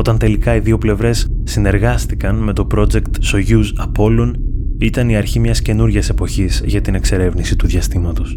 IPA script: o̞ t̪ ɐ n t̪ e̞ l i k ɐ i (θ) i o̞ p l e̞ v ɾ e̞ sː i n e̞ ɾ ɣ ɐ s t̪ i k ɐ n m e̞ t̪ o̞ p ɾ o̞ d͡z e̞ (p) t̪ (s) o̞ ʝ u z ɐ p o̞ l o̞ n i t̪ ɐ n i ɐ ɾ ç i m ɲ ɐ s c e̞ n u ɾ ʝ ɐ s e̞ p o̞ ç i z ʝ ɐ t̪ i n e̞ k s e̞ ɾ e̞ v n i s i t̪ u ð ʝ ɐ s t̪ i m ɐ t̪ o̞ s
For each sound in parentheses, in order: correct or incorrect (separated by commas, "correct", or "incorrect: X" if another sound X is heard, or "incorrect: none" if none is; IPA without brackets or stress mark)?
incorrect: ð, incorrect: k, correct